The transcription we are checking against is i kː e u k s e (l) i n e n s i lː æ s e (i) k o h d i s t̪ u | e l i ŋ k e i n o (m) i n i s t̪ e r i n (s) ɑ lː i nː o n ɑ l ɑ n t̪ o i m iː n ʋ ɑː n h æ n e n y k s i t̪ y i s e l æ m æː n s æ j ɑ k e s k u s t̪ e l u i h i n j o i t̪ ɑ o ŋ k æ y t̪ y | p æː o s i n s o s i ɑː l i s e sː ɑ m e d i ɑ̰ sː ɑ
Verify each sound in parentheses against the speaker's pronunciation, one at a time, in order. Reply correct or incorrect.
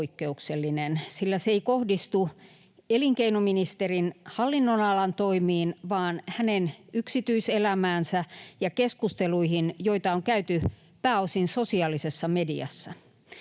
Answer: incorrect: lː, correct, correct, incorrect: h

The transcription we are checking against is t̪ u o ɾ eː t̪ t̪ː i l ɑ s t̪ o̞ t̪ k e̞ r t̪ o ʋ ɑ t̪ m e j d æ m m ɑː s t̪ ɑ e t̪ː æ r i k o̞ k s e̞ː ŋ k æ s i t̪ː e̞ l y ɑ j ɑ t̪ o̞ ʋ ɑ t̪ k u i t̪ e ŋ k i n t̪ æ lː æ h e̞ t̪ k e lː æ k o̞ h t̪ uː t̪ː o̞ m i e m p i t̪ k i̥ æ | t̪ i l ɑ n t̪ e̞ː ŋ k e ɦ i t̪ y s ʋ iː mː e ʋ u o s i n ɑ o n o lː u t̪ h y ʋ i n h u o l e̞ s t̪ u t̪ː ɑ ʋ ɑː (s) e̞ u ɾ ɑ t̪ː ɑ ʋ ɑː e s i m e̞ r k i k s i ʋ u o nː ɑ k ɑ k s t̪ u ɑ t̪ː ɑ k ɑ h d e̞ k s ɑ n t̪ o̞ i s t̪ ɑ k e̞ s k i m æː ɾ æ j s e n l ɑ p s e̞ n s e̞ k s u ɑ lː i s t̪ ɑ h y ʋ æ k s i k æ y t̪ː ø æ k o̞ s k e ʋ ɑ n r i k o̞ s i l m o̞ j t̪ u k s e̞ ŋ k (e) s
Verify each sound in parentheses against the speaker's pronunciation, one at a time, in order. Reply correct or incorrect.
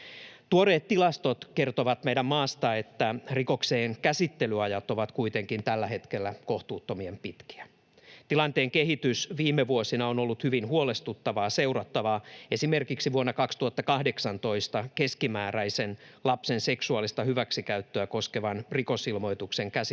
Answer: correct, incorrect: æ

